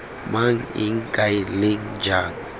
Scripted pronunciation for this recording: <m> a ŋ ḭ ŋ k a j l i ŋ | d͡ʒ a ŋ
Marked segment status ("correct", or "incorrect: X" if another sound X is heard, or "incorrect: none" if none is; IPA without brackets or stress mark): correct